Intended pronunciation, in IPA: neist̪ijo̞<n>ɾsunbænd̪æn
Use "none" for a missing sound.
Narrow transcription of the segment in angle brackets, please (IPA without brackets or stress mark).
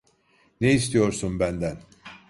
none